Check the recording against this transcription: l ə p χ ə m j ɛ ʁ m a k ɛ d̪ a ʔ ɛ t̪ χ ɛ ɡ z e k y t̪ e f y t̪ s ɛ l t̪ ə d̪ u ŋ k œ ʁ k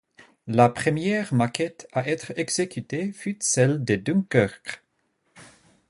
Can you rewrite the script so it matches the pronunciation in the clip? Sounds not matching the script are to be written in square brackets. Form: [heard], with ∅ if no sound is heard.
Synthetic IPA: l [a] p χ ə m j ɛ ʁ m a k ɛ [t̪] a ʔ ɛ t̪ χ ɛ ɡ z e k y t̪ e f y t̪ s ɛ l [d̪] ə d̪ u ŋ k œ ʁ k